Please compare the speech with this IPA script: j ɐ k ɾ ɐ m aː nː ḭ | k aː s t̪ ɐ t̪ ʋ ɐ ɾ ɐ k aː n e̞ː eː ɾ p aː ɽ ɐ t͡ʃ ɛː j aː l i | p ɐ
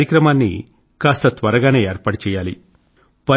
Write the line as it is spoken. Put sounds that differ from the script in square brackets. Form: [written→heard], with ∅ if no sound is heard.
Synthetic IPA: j ɐ k ɾ ɐ m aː nː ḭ | k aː s t̪ ɐ t̪ ʋ ɐ ɾ ɐ [k→ɡ] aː n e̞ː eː ɾ p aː ɽ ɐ t͡ʃ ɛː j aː l i | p ɐ